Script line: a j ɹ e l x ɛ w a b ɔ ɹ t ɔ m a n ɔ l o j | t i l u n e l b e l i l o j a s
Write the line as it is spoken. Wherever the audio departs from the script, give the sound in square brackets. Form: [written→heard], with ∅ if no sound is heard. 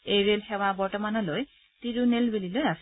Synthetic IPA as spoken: [a→e] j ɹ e l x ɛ w a b ɔ ɹ t ɔ m a n ɔ l o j | t i [l→ɹ] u n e l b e l i l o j a s

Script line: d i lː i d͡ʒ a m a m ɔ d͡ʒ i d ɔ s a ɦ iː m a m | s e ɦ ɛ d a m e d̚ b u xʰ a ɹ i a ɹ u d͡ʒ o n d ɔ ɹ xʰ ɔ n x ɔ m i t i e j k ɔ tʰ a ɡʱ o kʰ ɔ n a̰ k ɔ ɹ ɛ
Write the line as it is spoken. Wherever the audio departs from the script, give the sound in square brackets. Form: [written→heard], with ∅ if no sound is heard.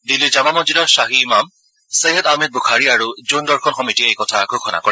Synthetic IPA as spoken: d i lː i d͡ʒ a m a m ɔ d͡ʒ i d ɔ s a ɦ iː m a m | s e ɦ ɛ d a m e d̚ b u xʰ a ɹ i a ɹ u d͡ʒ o n d ɔ ɹ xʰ ɔ n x ɔ m i t i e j k ɔ tʰ a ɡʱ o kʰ ɔ n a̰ k ɔ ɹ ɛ

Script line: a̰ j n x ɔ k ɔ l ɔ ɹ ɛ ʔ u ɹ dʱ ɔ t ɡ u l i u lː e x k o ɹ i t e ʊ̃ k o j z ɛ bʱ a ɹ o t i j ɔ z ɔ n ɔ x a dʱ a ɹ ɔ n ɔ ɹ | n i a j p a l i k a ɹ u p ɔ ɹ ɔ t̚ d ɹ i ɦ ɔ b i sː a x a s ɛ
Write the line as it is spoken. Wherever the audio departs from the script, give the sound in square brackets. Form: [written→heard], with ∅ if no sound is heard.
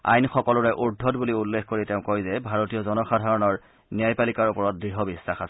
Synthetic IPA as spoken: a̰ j n x ɔ k ɔ l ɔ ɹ ɛ ʔ u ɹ dʱ ɔ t [ɡ→b] u l i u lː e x k o ɹ i t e ʊ̃ k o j z ɛ bʱ a ɹ o t i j ɔ z ɔ n ɔ x a dʱ a ɹ ɔ n ɔ ɹ | n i a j p a l i k a ɹ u p ɔ ɹ ɔ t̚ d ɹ i ɦ ɔ b i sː a x a s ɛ

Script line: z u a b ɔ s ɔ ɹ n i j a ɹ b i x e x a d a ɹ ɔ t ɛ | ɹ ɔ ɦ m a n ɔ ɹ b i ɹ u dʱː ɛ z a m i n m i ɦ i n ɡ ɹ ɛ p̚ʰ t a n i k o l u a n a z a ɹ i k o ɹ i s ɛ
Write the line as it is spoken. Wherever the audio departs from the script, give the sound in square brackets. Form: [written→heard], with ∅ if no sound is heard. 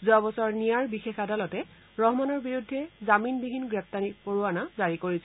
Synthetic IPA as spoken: z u a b ɔ s ɔ ɹ n i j a ɹ b i x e x a d a [ɹ→l] ɔ t ɛ | ɹ ɔ ɦ m a n ɔ ɹ b i ɹ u dʱː ɛ z a m i n [m→b] i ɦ i n ɡ ɹ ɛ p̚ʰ t a n i [k→p] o [l→ɹ] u a n a z a ɹ i k o ɹ i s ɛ

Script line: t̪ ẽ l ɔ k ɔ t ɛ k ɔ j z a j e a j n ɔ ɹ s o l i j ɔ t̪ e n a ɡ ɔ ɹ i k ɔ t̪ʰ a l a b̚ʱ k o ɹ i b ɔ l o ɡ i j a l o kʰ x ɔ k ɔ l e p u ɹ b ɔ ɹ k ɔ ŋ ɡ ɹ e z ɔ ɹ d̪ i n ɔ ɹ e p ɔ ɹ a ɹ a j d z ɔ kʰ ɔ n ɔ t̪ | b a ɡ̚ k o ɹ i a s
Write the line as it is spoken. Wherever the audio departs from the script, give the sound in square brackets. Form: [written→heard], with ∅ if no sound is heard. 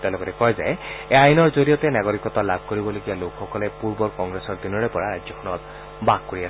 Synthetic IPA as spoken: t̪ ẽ l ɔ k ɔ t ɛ k ɔ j z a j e a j n ɔ ɹ [s→z] o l i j ɔ t̪ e n a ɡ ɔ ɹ i k ɔ [t̪ʰ→t̪] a l a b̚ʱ k o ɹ i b ɔ l o ɡ i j a l o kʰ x ɔ k ɔ l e p u ɹ b ɔ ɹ k ɔ ŋ ɡ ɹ e [z→s] ɔ ɹ d̪ i n ɔ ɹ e p ɔ ɹ a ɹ a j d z ɔ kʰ ɔ n ɔ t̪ | b a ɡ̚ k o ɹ i a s

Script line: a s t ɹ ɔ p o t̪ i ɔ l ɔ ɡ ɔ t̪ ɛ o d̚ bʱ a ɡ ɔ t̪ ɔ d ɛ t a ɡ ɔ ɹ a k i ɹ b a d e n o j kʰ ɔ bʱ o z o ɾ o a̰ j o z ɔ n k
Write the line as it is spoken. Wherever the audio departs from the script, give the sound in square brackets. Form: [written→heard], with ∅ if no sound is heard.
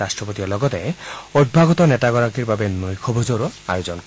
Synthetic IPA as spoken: a s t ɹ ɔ p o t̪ i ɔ l ɔ ɡ ɔ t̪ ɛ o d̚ bʱ a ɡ ɔ t̪ ɔ [d→n] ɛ t a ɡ ɔ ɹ a k i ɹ b a [d→b] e n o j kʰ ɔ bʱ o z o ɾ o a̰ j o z ɔ n k

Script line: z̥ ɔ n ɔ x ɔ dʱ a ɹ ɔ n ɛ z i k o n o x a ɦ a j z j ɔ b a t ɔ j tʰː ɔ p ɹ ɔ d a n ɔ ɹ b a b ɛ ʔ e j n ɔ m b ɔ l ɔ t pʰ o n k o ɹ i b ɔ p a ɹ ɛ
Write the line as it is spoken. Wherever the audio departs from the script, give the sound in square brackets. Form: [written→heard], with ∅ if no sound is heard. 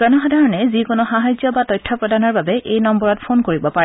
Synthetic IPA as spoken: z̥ ɔ n ɔ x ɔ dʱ a ɹ ɔ n ɛ z i k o n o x a ɦ a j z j ɔ b a t ɔ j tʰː ɔ p ɹ ɔ d a n ɔ ɹ b a b ɛ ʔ e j n ɔ m b ɔ [l→ɹ] ɔ t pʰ o n k o ɹ i b ɔ p a ɹ ɛ

